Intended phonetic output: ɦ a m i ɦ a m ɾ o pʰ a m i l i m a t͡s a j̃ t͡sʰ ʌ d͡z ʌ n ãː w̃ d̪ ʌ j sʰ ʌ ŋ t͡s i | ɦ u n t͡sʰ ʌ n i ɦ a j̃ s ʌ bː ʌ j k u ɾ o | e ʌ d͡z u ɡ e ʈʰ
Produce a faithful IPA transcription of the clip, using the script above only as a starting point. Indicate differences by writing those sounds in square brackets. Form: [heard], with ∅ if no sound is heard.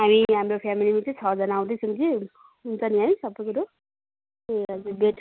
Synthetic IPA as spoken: ɦ a m i ɦ a m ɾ o pʰ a m i l i m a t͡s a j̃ t͡sʰ ʌ d͡z ʌ n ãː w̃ d̪ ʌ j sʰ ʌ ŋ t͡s i | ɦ u n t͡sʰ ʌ n i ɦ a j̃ s ʌ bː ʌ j k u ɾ o | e ʌ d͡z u [b] e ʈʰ

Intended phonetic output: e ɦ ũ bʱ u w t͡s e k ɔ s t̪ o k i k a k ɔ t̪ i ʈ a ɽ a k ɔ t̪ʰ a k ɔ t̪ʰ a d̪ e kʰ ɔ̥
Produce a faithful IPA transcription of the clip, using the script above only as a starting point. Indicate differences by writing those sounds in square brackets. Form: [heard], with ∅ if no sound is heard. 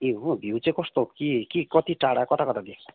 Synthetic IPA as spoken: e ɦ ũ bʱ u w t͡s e k ɔ s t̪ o k i k [i] k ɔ t̪ i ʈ a ɽ a k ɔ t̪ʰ a k ɔ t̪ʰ a d̪ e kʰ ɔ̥

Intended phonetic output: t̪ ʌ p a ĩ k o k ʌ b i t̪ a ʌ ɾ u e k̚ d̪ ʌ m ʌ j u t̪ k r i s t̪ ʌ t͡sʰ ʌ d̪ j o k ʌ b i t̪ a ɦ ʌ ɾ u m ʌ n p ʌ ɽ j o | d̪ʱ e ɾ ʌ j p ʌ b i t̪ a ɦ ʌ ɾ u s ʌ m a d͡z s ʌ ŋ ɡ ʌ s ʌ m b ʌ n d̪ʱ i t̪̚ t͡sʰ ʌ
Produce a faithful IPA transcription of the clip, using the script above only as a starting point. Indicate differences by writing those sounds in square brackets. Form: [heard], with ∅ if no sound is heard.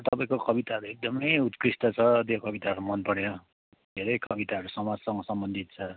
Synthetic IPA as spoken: t̪ ʌ p a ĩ k o k ʌ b i t̪ a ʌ ɾ u e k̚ d̪ ʌ m ʌ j u t̪ k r i s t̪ ʌ t͡sʰ ʌ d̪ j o k ʌ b i t̪ a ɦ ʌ ɾ u m ʌ n p ʌ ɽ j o | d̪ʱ e ɾ ʌ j [k] ʌ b i t̪ a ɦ ʌ ɾ u s ʌ m a d͡z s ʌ ŋ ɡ ʌ s ʌ m b ʌ n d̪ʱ i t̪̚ t͡sʰ ʌ

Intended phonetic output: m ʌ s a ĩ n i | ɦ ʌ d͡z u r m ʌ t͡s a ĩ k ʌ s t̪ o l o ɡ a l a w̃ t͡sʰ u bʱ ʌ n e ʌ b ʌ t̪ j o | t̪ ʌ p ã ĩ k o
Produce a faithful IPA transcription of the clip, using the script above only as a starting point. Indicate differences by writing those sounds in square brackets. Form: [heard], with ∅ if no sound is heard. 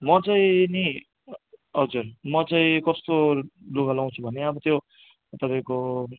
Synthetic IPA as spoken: m ʌ [t͡s] a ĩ n i | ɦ ʌ d͡z u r m ʌ t͡s a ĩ k ʌ s t̪ o l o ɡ a l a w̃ t͡sʰ u bʱ ʌ n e ʌ b ʌ t̪ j o | t̪ ʌ p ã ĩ k o

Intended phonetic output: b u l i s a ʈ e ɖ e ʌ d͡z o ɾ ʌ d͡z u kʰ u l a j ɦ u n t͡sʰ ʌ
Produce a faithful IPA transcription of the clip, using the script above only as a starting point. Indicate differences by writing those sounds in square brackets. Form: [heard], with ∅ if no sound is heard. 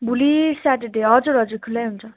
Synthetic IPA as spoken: b u l i s a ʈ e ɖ e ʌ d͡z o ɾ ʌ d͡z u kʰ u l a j ɦ u n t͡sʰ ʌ

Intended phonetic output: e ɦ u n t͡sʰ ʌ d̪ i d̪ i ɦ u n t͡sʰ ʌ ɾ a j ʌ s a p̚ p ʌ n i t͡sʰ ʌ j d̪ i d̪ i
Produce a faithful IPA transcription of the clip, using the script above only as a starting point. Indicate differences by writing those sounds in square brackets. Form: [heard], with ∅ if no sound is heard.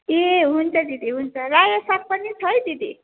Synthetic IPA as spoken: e ɦ u n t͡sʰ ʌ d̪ i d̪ i ɦ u n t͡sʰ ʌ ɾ a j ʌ s a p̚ p ʌ n i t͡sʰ ʌ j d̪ i d̪ i

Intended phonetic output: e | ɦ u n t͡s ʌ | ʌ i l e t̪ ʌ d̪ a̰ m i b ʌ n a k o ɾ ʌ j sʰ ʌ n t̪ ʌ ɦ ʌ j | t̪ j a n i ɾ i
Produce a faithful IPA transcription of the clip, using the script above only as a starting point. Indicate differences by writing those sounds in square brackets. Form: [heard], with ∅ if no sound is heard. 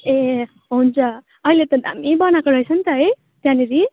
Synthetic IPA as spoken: e | ɦ u n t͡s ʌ | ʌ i l e t̪ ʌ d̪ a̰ m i b ʌ n a k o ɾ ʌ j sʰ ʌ n t̪ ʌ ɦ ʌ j | t̪ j a n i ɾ i

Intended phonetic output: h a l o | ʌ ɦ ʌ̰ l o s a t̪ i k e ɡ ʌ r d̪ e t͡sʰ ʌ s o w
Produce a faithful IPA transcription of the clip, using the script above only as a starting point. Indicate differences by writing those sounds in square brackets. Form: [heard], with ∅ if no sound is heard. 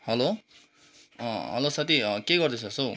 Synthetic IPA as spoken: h [ʌ] l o | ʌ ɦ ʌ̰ l o s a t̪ i k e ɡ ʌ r d̪ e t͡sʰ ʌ s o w

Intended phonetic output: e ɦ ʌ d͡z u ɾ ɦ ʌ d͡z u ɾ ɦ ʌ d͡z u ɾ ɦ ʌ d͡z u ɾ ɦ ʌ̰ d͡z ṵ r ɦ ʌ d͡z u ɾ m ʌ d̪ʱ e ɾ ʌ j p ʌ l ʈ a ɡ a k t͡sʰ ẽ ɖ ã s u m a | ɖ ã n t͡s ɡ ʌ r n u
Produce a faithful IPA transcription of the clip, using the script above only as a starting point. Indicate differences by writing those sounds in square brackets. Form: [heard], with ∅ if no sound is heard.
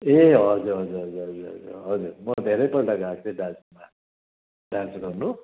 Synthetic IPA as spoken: e ɦ ʌ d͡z u ɾ ɦ ʌ d͡z u ɾ ɦ ʌ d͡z u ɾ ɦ ʌ d͡z u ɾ ɦ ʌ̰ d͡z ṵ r ɦ ʌ d͡z u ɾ m ʌ d̪ʱ e ɾ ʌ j p ʌ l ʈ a ɡ a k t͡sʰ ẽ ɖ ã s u m a | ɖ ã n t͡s ɡ ʌ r n u

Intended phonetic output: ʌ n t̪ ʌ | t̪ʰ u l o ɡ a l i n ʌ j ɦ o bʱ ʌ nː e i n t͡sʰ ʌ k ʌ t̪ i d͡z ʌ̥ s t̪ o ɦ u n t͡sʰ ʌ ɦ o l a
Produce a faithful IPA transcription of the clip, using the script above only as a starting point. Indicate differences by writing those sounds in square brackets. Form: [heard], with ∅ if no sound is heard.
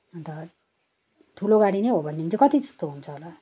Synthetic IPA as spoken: ʌ n t̪ ʌ | t̪ʰ u l o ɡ a [ɽ] i n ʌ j ɦ o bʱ ʌ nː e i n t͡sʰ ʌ k ʌ t̪ i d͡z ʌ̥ s t̪ o ɦ u n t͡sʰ ʌ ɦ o l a

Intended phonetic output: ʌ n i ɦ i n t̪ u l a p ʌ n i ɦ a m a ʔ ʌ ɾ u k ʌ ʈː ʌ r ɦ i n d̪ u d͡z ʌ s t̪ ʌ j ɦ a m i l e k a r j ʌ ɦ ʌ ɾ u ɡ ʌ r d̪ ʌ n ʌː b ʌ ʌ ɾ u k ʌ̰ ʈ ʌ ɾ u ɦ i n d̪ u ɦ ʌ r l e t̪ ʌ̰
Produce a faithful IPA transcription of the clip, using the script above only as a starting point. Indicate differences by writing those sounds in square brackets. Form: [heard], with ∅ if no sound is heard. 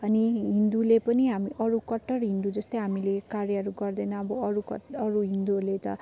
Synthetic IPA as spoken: ʌ n i ɦ i n [d̪] u l [e] p ʌ n i ɦ a m [i] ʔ ʌ ɾ u k ʌ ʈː ʌ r ɦ i n d̪ u d͡z ʌ s t̪ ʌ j ɦ a m i l e k a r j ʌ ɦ ʌ ɾ u ɡ ʌ r d̪ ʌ n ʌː b ʌ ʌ ɾ u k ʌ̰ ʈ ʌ ɾ u ɦ i n d̪ u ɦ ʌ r l e t̪ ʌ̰

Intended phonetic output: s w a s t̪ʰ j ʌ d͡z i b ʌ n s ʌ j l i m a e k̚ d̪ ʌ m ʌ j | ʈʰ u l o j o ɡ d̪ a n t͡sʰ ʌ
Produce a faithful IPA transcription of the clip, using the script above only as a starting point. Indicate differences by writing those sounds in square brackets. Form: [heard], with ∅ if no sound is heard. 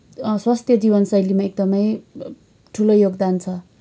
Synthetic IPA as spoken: s w a s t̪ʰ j ʌ d͡z i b ʌ n s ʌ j l i m a e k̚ d̪ ʌ m ʌ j | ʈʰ u l o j o ɡ d̪ a n t͡sʰ ʌ

